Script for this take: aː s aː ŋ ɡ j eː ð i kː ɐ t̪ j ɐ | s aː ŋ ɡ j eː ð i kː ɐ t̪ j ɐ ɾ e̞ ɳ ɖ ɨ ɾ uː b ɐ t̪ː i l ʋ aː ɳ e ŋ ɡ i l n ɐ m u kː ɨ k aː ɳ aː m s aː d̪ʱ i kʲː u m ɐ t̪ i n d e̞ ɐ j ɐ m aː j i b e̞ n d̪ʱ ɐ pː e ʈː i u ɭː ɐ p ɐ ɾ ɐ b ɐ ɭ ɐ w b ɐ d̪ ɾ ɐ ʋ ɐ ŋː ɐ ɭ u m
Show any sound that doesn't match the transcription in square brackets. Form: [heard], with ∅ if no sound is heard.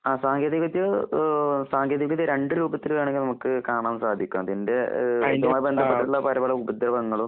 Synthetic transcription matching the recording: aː s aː ŋ ɡ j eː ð i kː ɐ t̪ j ɐ | s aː ŋ ɡ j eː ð i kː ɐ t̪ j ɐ ɾ e̞ ɳ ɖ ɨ ɾ uː b ɐ t̪ː i l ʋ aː ɳ e ŋ ɡ i l n ɐ m u kː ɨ k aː ɳ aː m s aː d̪ʱ i kʲː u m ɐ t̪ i n d e̞ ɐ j ɐ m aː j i b e̞ n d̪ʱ ɐ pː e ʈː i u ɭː ɐ p ɐ ɾ ɐ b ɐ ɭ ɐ [u] b ɐ d̪ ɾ ɐ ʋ ɐ ŋː ɐ ɭ u m